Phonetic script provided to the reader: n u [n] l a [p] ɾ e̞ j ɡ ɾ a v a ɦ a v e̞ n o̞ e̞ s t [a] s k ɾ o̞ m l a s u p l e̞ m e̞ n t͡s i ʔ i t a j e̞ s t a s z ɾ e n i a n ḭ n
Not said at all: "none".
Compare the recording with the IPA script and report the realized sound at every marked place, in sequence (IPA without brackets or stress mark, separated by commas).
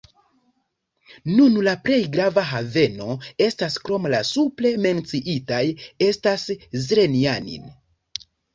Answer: n, p, a